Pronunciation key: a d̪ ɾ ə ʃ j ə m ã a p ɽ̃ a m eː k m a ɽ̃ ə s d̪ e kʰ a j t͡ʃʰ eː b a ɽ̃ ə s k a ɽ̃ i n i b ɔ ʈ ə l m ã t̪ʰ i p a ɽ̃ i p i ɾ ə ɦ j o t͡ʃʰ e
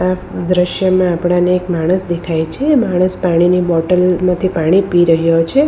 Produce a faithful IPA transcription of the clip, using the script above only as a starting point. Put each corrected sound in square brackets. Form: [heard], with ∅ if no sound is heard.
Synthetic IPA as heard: a d̪ ɾ ə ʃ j ə m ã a p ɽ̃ a [n] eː k m a ɽ̃ ə s d̪ e kʰ a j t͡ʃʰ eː [m] a ɽ̃ ə s [p] a ɽ̃ i n i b ɔ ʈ ə l m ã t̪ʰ i p a ɽ̃ i p i ɾ ə ɦ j o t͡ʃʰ e